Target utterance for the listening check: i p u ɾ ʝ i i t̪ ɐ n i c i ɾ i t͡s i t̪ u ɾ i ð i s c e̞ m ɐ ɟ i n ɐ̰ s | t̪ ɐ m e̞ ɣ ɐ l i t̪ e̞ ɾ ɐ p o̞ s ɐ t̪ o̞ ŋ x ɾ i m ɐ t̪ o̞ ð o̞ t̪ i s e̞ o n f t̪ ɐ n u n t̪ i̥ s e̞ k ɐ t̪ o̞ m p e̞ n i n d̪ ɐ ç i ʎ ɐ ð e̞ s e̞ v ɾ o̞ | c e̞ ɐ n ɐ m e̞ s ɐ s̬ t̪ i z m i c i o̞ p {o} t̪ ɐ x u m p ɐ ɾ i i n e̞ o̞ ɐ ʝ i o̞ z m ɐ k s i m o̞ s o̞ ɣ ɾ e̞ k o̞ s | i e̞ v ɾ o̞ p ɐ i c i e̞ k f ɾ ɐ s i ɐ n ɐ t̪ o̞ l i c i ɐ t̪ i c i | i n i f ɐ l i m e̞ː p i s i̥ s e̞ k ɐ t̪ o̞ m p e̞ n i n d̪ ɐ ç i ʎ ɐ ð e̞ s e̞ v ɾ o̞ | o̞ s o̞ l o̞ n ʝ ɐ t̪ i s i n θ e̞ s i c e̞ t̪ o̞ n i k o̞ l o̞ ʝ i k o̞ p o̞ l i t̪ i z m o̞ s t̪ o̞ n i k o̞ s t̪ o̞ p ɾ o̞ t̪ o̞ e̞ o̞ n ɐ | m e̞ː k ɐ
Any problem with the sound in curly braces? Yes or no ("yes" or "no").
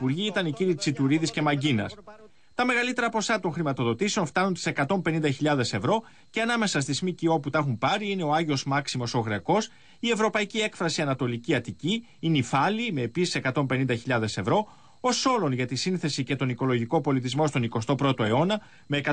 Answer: yes